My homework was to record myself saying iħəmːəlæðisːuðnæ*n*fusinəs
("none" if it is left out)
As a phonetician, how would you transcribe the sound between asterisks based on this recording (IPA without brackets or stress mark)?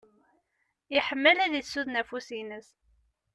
none